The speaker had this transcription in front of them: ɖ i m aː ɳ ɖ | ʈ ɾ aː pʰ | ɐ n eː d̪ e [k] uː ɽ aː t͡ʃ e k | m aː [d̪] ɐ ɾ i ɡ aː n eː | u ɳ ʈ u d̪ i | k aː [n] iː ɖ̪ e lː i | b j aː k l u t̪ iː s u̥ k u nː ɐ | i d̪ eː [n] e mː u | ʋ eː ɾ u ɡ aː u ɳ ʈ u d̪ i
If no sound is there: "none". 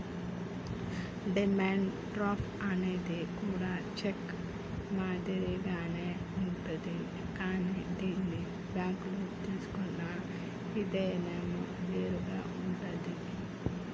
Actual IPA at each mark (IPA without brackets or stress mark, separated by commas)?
k, d̪, n, n